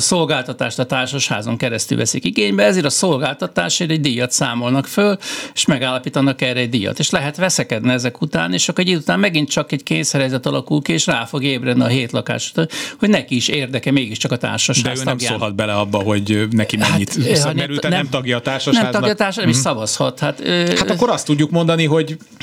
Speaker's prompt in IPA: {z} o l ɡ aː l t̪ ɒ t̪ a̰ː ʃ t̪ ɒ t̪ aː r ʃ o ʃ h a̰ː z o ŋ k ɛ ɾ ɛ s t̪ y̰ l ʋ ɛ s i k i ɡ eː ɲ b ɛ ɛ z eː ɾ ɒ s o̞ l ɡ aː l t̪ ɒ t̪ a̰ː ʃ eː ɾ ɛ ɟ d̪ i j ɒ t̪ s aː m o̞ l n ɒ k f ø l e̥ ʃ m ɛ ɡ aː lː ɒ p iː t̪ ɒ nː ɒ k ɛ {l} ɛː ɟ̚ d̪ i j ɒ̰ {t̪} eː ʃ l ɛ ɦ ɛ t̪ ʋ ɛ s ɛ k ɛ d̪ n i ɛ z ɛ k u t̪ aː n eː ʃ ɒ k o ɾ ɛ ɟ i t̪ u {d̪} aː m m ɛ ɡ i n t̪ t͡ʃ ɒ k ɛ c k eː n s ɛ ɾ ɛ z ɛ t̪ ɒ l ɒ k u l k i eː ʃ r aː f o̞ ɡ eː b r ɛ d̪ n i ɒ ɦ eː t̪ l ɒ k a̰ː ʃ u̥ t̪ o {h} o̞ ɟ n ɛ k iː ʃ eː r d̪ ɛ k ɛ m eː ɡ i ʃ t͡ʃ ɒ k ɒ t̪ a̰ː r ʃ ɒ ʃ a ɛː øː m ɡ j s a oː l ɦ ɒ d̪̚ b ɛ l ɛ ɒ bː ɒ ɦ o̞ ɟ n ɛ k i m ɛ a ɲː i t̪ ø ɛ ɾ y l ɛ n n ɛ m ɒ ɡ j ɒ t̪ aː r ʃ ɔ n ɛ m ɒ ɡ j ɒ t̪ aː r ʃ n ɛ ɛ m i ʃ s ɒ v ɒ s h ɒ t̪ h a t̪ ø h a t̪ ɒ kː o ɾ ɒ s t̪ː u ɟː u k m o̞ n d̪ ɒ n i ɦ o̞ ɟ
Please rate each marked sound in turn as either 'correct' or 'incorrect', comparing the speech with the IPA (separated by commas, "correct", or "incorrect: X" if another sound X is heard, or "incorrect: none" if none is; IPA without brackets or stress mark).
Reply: incorrect: s, incorrect: r, correct, incorrect: t̪, correct